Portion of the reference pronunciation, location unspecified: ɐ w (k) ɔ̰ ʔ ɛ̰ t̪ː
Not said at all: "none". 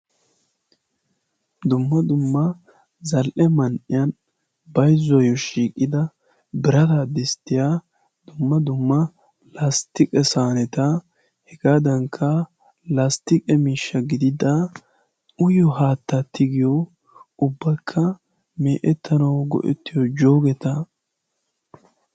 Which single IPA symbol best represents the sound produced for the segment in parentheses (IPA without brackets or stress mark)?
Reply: ɡ